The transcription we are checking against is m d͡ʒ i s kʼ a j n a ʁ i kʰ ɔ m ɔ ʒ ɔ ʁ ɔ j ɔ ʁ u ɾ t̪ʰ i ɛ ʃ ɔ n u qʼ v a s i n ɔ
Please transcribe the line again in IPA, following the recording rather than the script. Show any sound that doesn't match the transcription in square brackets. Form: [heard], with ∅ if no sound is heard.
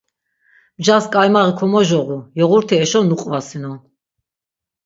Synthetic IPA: m d͡ʒ [a] s kʼ a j [m] a ʁ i kʰ ɔ m ɔ ʒ ɔ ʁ [u] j ɔ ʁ u ɾ t̪ʰ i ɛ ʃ ɔ n u qʼ v a s i n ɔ